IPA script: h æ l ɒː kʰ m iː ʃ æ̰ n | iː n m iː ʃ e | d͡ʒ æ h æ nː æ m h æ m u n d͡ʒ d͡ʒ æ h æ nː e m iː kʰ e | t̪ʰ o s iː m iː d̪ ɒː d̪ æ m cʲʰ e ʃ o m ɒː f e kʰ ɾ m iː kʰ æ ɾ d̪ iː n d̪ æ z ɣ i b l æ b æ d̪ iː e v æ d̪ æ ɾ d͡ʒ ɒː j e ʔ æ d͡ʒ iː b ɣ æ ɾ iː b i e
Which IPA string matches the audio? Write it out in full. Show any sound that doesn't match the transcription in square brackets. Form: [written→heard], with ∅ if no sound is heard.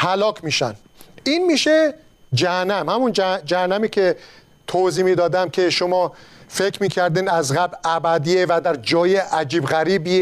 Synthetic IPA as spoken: h æ l ɒː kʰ m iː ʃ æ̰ n | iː n m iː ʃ e | d͡ʒ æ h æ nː æ m h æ m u n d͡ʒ d͡ʒ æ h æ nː [e→æ] m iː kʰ e | t̪ʰ o [s→z] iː m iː d̪ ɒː d̪ æ m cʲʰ e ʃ o m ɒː f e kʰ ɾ m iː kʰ æ ɾ d̪ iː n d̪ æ z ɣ [i→æ] b l æ b æ d̪ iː e v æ d̪ æ ɾ d͡ʒ ɒː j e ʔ æ d͡ʒ iː b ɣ æ ɾ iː b i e